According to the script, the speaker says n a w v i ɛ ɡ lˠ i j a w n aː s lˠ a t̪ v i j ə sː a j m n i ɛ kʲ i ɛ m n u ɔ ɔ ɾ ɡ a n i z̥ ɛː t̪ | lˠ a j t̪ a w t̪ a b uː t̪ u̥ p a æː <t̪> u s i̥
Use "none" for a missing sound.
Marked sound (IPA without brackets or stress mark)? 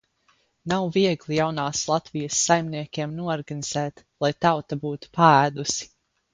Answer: d̪